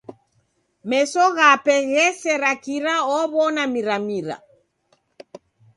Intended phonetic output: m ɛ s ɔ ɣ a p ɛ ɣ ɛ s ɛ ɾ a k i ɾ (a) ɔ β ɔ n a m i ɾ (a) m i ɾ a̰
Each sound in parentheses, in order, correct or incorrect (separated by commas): correct, correct